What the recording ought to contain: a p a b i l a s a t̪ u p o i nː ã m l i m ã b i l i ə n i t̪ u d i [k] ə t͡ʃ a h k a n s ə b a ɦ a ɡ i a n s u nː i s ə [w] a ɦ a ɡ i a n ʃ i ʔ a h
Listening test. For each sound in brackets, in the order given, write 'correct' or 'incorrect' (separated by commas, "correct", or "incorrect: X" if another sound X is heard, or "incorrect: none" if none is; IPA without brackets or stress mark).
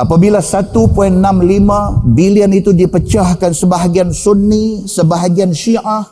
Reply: incorrect: p, incorrect: b